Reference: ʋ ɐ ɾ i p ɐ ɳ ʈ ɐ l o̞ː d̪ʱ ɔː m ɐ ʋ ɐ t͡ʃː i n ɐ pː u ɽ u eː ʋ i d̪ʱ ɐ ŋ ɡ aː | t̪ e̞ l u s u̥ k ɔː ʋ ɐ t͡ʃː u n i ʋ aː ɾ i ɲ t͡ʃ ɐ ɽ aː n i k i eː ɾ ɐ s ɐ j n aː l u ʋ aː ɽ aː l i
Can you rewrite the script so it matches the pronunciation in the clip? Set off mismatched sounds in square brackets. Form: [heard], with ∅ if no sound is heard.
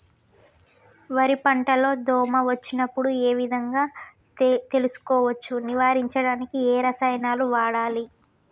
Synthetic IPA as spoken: ʋ ɐ ɾ i p ɐ ɳ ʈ ɐ l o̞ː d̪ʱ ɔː m ɐ ʋ ɐ t͡ʃː i n ɐ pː u ɽ u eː ʋ i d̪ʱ ɐ ŋ ɡ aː | t̪ e̞ l u s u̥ k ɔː ʋ ɐ t͡ʃː u n i ʋ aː ɾ i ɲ t͡ʃ ɐ ɽ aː n i k i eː ɾ ɐ s ɐ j n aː l u ʋ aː ɽ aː l i